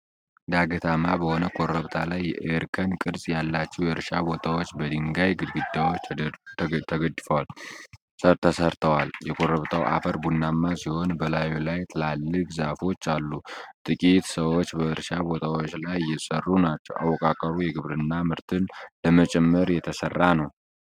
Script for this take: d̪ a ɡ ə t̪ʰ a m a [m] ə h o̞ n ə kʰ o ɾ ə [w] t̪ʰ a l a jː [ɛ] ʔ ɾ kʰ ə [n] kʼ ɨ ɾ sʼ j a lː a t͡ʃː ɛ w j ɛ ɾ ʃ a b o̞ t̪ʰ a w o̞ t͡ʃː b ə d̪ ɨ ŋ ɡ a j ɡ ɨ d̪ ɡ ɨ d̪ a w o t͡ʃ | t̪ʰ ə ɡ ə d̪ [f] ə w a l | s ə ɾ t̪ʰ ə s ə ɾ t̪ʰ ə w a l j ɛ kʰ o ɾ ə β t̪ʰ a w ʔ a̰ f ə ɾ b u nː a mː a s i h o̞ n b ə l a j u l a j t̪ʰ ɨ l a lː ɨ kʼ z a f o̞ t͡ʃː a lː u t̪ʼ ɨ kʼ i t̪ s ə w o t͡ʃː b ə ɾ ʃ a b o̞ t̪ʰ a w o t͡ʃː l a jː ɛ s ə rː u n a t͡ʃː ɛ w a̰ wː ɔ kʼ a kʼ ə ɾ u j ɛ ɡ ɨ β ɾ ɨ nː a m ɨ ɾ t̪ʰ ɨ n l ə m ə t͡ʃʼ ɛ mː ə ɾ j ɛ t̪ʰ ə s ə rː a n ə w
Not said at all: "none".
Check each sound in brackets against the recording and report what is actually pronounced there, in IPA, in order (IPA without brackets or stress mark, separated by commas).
b, β, ɛ, n, f